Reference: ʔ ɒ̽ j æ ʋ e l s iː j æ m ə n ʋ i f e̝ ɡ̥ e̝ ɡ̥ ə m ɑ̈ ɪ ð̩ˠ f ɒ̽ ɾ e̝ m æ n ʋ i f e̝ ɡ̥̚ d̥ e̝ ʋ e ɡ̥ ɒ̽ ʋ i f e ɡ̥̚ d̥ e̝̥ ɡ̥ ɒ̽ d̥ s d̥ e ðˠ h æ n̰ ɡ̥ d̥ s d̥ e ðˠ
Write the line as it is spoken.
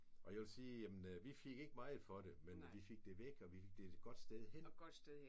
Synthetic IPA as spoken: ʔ ɒ̽ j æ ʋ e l s iː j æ m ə n ʋ i f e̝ ɡ̥ e̝ ɡ̥ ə m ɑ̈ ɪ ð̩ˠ f ɒ̽ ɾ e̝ m e n ʋ i f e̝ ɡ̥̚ d̥ e̝ ʋ e ɡ̥ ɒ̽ ʋ i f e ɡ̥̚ d̥ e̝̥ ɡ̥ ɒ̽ d̥ s d̥ e ðˠ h e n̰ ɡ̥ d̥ s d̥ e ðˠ